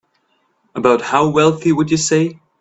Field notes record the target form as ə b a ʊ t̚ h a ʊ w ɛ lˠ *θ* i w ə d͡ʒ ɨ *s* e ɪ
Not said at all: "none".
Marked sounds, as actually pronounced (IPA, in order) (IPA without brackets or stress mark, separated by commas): θ, s